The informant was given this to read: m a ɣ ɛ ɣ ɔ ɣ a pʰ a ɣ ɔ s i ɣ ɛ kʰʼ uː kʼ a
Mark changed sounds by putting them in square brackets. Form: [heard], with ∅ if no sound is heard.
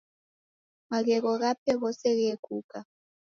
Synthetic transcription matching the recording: m a ɣ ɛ ɣ ɔ ɣ a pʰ [ɛ] ɣ ɔ s [ɛ] ɣ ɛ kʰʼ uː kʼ a

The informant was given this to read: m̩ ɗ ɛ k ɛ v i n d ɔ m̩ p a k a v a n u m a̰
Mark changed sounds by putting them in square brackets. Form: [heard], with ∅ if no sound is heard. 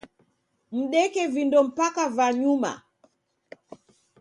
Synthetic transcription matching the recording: m̩ ɗ ɛ k ɛ v i n d ɔ m̩ p a k a v a [ɲ] u m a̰

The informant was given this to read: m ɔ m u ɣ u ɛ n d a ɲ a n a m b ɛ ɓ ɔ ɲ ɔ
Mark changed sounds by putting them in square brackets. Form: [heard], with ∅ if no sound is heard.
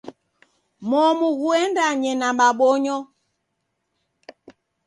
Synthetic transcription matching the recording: m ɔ m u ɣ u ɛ n d a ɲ [ɛ] n a m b [a] ɓ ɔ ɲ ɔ

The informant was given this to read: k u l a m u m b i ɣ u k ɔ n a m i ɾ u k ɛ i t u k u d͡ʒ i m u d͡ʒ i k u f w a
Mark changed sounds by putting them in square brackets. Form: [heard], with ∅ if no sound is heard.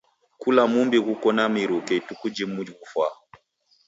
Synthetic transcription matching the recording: k u l a m u m b i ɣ u k ɔ n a m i ɾ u k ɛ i t u k u d͡ʒ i m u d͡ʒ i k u f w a

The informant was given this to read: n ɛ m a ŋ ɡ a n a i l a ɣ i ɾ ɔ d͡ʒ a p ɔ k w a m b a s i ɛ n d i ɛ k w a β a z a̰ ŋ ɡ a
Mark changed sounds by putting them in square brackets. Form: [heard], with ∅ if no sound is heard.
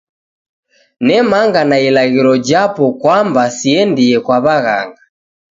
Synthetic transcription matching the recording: n ɛ m a ŋ ɡ a n a i l a ɣ i ɾ ɔ d͡ʒ a p ɔ k w a m b a s i ɛ n d i ɛ k w a β a [ɣ] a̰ ŋ ɡ a

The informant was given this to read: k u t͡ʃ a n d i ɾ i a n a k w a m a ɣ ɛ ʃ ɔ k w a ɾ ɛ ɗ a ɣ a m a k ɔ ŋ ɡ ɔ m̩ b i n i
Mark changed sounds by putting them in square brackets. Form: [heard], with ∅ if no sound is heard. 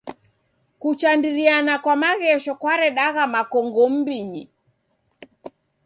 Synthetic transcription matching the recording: k u t͡ʃ a n d i ɾ i a n a k w a m a ɣ ɛ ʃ ɔ k w a ɾ ɛ ɗ a ɣ a m a k ɔ ŋ ɡ ɔ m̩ b i [ɲ] i

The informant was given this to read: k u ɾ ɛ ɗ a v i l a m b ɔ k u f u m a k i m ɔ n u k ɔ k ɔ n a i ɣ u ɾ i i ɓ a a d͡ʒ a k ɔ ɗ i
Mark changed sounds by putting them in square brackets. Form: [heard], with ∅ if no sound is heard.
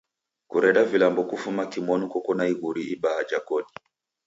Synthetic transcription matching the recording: k u ɾ ɛ ɗ a v i l a m b ɔ k u f u m a k i m ɔ n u k ɔ k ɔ n a i ɣ u ɾ i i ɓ a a d͡ʒ a k ɔ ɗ i

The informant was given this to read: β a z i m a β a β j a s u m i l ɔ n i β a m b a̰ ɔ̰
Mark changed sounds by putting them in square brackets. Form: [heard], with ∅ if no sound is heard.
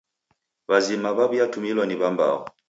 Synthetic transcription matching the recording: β a z i m a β a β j a [t] u m i l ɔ n i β a m b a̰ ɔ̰

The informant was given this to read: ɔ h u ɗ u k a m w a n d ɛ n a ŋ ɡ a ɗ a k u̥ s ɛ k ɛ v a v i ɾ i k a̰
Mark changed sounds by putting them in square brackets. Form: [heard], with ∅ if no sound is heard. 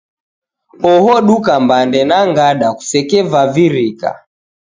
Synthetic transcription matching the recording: ɔ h [ɔ] ɗ u k a m [b] a n d ɛ n a ŋ ɡ a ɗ a k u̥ s ɛ k ɛ v a v i ɾ i k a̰

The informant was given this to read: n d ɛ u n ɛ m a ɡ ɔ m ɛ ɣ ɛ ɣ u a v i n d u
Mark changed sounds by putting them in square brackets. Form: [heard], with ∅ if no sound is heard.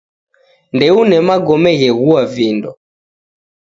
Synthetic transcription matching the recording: n d ɛ u n ɛ m a ɡ ɔ m ɛ ɣ ɛ ɣ u a v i n d [ɔ]

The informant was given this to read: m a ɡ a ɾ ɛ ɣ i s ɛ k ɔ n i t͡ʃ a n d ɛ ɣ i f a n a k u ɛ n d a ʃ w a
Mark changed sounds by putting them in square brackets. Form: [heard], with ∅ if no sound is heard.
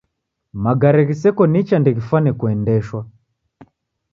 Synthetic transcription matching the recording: m a ɡ a ɾ ɛ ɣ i s ɛ k ɔ n i t͡ʃ a n d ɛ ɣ i f a n [ɛ] k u ɛ n d [ɛ] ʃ w a

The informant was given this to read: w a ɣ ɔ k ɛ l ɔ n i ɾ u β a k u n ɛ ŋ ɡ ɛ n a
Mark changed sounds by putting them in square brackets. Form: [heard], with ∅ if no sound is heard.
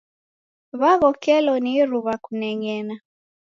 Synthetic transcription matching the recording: [β] a ɣ ɔ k ɛ l ɔ n i ɾ u β a k u n ɛ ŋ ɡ ɛ n a

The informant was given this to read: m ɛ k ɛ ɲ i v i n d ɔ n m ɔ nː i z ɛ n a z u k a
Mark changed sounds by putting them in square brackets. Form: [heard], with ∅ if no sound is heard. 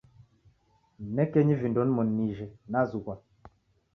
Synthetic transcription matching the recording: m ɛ k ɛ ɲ i v i n d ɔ n m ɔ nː i [ʒ] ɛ n a z u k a

